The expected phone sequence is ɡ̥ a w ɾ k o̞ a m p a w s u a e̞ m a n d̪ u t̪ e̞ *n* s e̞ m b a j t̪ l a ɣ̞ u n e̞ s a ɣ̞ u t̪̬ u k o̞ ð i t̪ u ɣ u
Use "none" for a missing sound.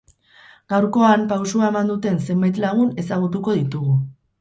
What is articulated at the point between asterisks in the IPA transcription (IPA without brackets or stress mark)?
n